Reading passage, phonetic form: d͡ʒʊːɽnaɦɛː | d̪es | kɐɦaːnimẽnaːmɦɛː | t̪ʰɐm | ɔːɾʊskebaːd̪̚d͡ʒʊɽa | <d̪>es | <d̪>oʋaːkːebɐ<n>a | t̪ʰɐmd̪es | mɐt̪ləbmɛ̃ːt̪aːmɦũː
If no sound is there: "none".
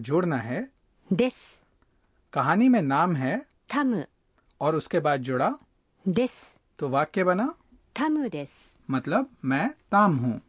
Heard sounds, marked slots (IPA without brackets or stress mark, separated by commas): d̪, t̪, n